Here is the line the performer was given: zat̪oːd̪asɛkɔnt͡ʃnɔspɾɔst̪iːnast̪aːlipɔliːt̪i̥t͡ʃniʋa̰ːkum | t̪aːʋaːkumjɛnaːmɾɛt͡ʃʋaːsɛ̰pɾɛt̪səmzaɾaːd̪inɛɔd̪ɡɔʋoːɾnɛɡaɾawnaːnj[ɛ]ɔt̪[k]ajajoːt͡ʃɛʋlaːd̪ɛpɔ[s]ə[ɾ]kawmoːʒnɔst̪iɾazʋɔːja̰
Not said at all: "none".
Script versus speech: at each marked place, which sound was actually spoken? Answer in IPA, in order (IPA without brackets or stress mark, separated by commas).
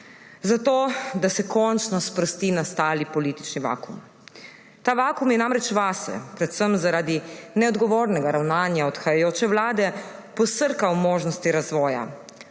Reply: a, x, s, ɾ